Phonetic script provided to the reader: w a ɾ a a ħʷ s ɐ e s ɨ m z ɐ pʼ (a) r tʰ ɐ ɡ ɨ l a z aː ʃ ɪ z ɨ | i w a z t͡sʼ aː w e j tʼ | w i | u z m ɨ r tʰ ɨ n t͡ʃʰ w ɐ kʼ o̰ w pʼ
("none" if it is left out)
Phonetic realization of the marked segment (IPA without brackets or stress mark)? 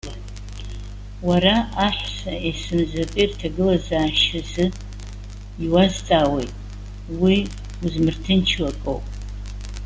i